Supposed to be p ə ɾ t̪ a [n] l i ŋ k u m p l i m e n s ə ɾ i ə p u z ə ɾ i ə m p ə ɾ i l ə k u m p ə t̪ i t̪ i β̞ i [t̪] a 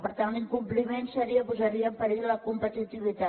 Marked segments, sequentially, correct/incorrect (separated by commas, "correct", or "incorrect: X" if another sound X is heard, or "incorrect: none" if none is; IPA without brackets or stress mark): correct, correct